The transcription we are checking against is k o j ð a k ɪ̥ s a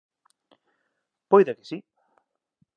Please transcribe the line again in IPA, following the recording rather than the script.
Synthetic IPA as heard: p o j ð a k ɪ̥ s i